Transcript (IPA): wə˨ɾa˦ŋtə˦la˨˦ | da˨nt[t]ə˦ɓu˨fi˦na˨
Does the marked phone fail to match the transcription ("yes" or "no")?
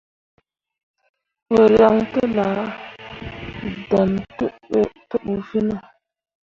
no